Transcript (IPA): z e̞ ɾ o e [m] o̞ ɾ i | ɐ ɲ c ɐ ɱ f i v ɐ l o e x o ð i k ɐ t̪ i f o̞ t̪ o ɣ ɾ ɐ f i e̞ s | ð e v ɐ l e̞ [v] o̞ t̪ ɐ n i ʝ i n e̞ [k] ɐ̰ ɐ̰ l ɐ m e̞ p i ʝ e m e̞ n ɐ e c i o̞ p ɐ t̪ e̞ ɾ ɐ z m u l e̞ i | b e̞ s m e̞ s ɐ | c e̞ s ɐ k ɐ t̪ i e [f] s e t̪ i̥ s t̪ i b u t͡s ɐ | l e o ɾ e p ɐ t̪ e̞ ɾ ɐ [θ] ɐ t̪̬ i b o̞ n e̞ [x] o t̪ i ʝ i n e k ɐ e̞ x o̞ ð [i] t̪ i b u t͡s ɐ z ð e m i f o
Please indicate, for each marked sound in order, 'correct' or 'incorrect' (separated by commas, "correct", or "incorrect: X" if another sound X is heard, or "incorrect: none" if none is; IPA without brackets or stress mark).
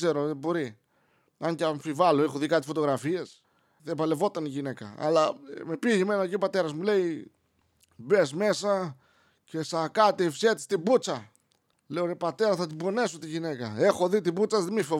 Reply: incorrect: b, correct, correct, correct, correct, incorrect: s, correct